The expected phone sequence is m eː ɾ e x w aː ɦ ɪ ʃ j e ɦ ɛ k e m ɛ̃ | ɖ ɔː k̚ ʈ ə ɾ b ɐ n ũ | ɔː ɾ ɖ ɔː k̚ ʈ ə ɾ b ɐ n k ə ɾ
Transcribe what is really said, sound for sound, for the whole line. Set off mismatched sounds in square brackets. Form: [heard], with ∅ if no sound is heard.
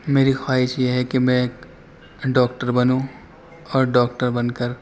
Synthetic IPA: m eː ɾ [i] x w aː ɦ ɪ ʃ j e ɦ ɛ k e m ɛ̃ | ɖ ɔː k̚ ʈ ə ɾ b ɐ n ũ | ɔː ɾ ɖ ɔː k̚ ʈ ə ɾ b ɐ n k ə ɾ